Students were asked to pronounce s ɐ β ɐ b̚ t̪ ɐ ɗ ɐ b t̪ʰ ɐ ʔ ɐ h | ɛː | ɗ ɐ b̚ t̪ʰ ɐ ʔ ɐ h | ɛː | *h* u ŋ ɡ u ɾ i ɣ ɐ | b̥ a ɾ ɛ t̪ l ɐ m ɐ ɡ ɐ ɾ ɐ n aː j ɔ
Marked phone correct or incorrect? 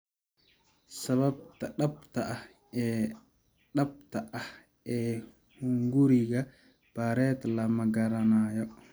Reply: correct